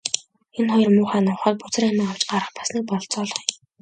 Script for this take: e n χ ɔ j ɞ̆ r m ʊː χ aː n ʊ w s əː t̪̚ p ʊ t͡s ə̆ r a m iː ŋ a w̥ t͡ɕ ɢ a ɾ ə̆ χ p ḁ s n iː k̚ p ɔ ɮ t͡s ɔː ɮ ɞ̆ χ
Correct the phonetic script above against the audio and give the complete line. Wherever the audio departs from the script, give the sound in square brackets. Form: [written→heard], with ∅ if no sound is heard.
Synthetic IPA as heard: e n χ ɔ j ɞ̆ r m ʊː χ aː n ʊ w [s→χ] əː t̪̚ p ʊ t͡s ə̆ r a m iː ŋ a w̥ t͡ɕ ɢ a ɾ ə̆ χ p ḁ s n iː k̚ p ɔ ɮ t͡s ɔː ɮ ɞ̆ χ